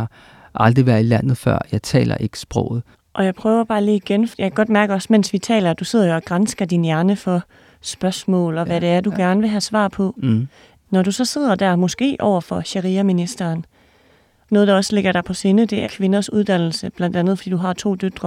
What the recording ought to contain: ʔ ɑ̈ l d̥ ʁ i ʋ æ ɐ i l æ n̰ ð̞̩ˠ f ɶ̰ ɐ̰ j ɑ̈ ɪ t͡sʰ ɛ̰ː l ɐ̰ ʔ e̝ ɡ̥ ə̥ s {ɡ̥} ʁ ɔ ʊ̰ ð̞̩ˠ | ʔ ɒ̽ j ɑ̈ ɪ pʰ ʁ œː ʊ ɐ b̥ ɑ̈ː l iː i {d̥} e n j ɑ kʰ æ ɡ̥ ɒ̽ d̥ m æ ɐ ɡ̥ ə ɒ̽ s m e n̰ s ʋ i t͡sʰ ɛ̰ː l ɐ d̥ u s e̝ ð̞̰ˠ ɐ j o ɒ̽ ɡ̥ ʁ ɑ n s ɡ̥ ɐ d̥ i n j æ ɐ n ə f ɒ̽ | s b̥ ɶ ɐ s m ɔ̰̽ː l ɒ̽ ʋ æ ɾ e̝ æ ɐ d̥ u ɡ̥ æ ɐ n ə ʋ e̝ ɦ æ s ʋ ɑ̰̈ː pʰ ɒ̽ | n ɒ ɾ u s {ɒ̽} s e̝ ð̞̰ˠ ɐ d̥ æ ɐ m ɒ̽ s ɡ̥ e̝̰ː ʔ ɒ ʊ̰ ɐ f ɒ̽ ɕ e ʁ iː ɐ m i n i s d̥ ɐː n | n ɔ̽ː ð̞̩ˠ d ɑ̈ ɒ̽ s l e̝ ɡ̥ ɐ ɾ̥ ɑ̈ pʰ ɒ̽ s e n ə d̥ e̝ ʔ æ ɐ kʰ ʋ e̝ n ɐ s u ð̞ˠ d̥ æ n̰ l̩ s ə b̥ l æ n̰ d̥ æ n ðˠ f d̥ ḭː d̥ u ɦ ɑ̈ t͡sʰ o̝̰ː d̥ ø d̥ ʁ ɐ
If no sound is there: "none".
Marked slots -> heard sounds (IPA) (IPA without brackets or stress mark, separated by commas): b̥, ɡ̥, ɒ̽